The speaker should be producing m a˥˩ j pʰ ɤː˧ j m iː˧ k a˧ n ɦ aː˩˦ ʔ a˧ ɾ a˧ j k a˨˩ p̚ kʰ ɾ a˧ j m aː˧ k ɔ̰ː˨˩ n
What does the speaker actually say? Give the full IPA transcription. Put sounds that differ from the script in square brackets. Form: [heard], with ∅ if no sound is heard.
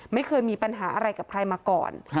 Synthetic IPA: m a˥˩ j [kʰ] ɤː˧ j m iː˧ [p] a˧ n ɦ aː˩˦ ʔ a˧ ɾ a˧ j k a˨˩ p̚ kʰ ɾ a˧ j m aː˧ k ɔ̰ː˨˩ n

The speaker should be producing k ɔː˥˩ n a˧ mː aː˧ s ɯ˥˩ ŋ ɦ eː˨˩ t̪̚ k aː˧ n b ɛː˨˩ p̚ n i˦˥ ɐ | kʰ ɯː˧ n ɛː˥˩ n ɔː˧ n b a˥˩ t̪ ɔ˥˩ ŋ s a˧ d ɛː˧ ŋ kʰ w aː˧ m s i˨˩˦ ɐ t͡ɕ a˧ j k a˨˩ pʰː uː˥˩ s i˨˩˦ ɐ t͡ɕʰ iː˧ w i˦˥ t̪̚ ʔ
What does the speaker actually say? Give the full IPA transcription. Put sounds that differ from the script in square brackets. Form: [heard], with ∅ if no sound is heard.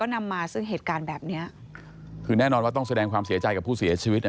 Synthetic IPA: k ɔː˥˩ n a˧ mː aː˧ s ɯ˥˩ ŋ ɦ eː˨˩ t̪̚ k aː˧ n b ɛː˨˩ p̚ n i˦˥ ɐ | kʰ ɯː˧ n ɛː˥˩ n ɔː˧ n [w] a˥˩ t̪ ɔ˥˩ ŋ s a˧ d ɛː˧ ŋ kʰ w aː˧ m s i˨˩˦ ɐ t͡ɕ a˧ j k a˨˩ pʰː uː˥˩ s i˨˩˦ ɐ t͡ɕʰ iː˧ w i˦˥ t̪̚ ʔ

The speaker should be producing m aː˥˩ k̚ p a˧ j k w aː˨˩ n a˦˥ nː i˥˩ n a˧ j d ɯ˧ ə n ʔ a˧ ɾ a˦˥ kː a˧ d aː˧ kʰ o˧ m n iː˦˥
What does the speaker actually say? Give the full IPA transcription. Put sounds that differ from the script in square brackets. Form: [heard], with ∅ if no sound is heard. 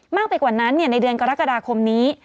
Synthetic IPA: m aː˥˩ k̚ p a˧ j k w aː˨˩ n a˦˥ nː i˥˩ n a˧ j d ɯ˧ ə n [k] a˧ ɾ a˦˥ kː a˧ d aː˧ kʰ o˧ m n iː˦˥

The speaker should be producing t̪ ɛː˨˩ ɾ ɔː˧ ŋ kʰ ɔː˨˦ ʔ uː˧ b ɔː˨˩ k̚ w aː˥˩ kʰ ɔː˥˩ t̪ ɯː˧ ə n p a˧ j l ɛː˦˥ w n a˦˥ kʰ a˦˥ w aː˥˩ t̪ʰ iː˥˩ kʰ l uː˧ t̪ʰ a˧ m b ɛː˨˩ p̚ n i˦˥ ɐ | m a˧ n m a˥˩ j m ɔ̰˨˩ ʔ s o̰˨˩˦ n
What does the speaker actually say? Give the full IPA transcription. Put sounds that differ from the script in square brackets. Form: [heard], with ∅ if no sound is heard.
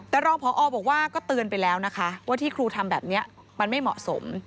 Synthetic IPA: t̪ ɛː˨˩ ɾ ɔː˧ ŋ [pʰ] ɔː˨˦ ʔ [ɔː˧] b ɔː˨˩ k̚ w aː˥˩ [k] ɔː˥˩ t̪ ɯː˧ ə n p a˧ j l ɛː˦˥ w n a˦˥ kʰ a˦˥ w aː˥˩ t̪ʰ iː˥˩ kʰ [ɾ] uː˧ t̪ʰ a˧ m b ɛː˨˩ p̚ n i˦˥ ɐ | m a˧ n m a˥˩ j m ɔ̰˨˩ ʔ s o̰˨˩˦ [m]

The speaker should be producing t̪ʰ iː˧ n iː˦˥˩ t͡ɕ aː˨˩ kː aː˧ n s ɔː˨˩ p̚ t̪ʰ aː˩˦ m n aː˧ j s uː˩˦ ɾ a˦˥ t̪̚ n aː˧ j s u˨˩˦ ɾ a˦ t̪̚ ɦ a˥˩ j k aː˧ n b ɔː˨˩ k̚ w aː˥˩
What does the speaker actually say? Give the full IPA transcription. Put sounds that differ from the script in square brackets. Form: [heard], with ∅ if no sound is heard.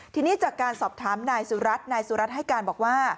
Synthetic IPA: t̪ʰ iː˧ n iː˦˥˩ t͡ɕ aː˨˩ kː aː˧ n s ɔː˨˩ p̚ t̪ʰ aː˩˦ m n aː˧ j s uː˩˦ ɾ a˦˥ t̪̚ n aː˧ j s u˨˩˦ ɾ a˦ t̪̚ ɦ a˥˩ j k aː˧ n b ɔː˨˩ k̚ w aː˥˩

